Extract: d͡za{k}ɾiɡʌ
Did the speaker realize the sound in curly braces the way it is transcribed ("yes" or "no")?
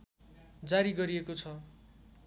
no